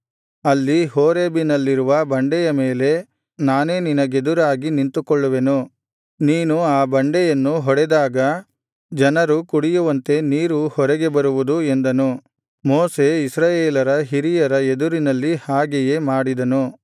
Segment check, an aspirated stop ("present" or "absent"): absent